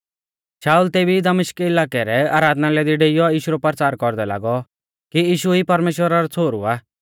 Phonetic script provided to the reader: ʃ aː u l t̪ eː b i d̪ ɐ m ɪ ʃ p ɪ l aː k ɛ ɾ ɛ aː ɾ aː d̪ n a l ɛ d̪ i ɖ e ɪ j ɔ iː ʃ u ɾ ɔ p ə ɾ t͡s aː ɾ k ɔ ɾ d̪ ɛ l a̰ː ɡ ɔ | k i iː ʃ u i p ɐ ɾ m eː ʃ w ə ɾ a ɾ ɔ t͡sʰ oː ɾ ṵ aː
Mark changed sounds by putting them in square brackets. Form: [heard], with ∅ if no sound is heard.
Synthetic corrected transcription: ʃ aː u l t̪ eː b i d̪ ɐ m ɪ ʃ [k] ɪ l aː k ɛ ɾ ɛ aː ɾ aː d̪ n a l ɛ d̪ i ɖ e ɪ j ɔ iː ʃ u ɾ ɔ p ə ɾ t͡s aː ɾ k ɔ ɾ d̪ ɛ l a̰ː ɡ ɔ | k i iː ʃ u i p ɐ ɾ m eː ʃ w ə ɾ a ɾ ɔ t͡sʰ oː ɾ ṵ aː